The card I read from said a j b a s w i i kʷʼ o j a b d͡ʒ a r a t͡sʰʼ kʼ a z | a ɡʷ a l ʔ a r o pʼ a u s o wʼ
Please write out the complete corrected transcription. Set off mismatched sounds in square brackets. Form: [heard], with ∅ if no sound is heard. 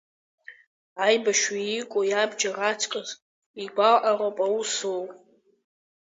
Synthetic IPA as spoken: a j b a [ʃ] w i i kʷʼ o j a b d͡ʒ a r a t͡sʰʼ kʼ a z | [i] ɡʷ a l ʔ a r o pʼ a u s o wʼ